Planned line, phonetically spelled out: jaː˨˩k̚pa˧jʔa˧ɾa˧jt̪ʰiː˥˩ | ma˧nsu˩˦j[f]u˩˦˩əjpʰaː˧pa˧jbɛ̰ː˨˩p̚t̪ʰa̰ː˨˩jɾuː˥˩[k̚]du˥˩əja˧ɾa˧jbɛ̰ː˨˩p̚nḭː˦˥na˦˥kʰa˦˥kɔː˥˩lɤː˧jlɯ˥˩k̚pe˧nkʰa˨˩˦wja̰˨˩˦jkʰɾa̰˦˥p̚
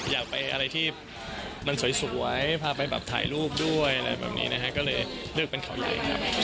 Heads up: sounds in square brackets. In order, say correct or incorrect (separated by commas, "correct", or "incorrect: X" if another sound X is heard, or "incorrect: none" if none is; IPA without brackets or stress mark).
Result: incorrect: s, incorrect: p̚